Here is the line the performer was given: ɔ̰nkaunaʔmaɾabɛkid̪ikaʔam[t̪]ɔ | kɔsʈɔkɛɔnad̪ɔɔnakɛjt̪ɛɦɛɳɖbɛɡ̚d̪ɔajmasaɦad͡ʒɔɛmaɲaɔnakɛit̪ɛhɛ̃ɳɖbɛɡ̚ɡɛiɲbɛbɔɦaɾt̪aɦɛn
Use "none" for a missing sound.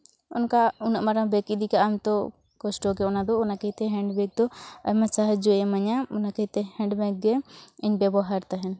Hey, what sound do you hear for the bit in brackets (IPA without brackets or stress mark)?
t̪